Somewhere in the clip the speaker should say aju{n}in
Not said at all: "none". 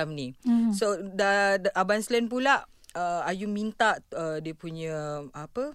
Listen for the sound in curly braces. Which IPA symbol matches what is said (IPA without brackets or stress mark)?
m